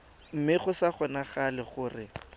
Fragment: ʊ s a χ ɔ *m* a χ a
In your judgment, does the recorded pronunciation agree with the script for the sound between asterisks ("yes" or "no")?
no